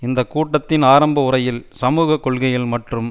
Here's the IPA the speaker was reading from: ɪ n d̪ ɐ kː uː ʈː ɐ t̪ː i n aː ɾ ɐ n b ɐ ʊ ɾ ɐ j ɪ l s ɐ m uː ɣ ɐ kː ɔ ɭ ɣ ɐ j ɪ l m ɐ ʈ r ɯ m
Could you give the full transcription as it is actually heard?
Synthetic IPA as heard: ɪ n d̪ ɐ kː uː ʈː ɐ t̪ː ɪ n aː ɾ ɐ m b ɐ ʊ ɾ ɐ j ɪ l s ɐ m uː ɣ ɐ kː ɔ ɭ ɣ ɐ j ɪ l m ɐ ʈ r ɯ m